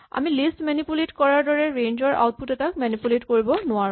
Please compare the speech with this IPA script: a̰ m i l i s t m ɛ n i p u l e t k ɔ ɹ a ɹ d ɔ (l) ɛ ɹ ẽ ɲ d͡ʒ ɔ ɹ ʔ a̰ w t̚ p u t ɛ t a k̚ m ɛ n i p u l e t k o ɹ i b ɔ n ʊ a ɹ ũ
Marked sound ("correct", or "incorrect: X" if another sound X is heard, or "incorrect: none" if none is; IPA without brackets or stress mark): incorrect: ɹ